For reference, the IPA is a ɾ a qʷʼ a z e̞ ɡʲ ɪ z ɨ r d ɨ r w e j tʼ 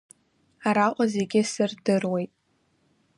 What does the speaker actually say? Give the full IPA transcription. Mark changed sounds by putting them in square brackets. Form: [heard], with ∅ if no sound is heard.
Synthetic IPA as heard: a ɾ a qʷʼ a z e̞ ɡʲ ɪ [s] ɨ r d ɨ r w e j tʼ